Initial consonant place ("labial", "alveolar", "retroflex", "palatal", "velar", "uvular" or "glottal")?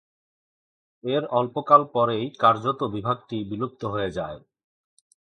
alveolar